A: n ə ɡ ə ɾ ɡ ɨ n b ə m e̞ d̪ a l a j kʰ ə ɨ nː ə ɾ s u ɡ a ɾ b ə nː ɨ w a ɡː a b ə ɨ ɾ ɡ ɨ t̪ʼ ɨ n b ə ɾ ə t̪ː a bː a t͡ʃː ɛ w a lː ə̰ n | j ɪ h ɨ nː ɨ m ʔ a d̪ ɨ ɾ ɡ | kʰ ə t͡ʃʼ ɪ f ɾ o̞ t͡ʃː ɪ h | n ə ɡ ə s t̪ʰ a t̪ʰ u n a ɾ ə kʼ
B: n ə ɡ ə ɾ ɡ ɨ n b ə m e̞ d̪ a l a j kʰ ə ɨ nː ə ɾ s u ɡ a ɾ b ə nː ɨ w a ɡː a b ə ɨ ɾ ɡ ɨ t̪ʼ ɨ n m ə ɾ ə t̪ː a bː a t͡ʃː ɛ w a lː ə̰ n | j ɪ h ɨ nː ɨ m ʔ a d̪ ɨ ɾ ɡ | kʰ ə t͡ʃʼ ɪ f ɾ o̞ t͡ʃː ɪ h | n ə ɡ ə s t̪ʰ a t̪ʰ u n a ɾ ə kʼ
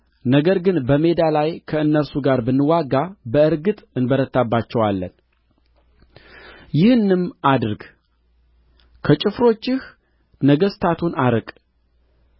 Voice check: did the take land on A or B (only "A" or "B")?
A